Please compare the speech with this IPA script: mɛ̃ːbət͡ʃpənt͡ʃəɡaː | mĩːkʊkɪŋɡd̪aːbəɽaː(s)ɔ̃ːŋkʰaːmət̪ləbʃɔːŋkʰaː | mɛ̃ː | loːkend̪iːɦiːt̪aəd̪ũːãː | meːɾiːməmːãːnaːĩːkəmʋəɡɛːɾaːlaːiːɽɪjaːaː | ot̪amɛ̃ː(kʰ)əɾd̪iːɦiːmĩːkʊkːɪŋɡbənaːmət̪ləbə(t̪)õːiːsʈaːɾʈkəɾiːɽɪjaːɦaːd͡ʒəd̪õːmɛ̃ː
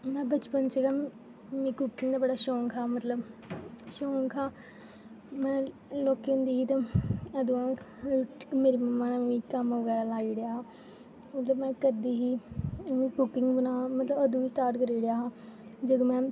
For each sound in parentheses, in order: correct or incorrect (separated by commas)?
incorrect, incorrect, incorrect